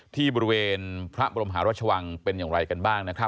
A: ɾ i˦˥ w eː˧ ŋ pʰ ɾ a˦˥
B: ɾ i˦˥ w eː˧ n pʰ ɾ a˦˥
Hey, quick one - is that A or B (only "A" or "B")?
B